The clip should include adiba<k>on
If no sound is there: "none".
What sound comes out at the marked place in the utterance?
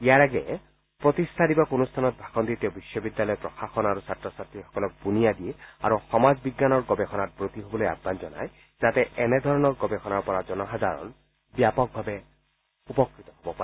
k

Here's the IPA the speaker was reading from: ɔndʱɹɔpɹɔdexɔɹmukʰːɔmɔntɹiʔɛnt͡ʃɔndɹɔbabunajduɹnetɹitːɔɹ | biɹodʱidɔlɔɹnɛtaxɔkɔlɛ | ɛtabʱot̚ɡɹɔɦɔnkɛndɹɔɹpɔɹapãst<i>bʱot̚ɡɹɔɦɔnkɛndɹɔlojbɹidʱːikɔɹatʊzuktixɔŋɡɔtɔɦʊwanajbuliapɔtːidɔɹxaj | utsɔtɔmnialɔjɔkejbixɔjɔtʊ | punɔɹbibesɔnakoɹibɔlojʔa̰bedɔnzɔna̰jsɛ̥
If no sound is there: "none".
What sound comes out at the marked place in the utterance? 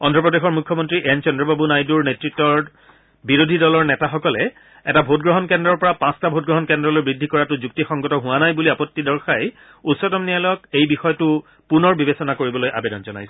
a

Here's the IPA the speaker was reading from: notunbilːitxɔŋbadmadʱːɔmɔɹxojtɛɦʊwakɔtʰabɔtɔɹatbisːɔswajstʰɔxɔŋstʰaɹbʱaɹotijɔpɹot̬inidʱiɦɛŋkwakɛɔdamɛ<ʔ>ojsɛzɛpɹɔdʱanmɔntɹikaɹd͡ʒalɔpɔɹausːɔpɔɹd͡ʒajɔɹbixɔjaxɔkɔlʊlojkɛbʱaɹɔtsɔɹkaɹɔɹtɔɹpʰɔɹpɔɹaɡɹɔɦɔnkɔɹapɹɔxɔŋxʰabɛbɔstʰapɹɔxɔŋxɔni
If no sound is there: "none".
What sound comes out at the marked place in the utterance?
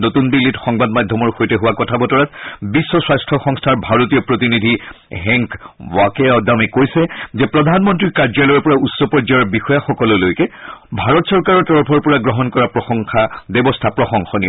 k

